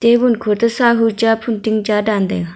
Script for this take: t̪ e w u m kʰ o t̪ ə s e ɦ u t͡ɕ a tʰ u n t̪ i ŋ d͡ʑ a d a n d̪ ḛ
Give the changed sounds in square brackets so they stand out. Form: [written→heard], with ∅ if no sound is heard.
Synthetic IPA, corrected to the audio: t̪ e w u [m→n] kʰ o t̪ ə s [e→a] ɦ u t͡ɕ a [tʰ→pʰ] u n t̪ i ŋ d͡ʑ a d a n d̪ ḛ